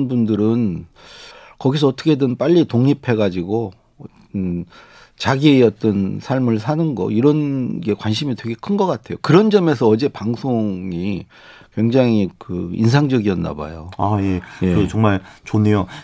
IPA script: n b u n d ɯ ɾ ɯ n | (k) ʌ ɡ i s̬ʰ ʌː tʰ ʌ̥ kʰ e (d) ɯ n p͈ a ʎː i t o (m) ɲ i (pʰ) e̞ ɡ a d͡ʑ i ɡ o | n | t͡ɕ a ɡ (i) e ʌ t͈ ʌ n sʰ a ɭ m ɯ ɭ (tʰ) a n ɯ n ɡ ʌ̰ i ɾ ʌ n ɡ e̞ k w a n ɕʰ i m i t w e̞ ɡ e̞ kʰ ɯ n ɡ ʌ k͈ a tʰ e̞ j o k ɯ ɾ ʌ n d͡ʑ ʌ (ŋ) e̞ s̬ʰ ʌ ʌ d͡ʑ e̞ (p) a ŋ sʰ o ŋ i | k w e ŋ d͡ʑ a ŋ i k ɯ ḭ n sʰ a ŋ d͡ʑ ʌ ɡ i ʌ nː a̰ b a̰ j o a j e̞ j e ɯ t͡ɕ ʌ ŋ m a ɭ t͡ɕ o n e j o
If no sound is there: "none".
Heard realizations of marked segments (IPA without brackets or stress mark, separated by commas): k, d, ŋ, pʰ, i, sʰ, m, p